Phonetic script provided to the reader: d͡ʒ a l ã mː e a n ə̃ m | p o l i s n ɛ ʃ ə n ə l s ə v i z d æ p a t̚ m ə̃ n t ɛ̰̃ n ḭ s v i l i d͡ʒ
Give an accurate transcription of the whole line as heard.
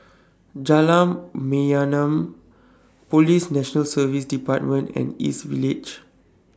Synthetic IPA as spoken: d͡ʒ a l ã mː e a n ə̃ m | p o l i s n ɛ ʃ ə n ə l s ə v i s d i p a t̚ m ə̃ n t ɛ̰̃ n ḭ s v i l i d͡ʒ